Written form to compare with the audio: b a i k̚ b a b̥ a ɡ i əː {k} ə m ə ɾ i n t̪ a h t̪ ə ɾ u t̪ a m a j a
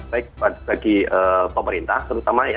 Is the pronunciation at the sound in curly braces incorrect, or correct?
incorrect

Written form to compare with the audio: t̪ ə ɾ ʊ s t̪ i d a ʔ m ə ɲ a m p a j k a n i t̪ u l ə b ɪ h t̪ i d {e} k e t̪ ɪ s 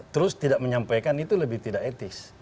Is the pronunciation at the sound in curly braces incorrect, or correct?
incorrect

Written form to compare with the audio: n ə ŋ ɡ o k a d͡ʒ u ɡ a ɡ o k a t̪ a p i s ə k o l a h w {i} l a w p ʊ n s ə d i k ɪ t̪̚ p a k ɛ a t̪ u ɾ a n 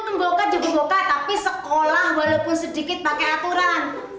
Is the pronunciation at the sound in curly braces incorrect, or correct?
incorrect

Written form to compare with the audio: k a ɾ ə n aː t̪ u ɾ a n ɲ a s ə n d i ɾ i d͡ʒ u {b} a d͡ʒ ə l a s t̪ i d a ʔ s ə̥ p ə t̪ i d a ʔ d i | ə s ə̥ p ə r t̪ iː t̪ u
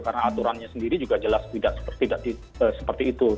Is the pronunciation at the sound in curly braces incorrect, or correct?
incorrect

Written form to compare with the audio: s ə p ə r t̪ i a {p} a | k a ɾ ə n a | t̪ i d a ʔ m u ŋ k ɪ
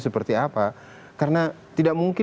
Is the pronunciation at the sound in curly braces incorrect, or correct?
correct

